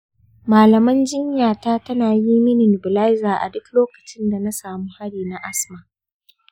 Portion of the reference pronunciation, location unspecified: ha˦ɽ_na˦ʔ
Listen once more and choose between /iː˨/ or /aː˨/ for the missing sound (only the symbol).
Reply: iː˨